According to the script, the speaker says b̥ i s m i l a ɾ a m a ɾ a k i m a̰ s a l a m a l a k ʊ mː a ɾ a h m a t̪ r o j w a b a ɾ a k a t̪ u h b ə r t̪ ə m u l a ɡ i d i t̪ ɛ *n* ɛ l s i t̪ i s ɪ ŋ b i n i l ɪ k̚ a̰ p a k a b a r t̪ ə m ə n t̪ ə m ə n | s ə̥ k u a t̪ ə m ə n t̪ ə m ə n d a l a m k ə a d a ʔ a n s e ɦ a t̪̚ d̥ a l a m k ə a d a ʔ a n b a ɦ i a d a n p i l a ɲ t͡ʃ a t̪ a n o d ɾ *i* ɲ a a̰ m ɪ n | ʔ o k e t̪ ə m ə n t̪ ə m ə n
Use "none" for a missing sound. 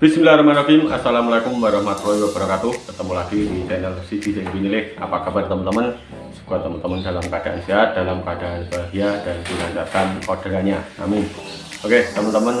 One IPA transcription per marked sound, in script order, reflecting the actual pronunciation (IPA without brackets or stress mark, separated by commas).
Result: n, a